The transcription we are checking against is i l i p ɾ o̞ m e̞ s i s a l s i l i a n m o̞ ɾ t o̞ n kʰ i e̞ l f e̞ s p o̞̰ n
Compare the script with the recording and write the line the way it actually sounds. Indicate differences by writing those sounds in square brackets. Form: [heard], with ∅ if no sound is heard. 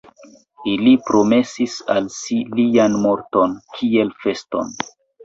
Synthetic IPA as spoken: i l i p ɾ o̞ m e̞ s i s a l s i l i a n m o̞ ɾ t o̞ n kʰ i e̞ l f e̞ s [t] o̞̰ n